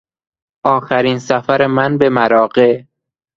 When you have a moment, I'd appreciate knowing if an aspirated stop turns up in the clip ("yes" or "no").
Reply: no